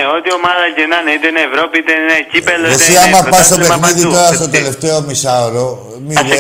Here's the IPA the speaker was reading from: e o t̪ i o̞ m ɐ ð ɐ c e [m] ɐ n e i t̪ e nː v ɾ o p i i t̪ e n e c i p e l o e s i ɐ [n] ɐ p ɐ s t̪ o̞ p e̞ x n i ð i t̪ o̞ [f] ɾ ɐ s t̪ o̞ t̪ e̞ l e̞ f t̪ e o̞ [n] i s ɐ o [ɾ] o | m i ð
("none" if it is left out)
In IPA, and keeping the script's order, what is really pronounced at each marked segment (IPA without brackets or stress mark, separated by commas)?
n, m, none, m, ɾ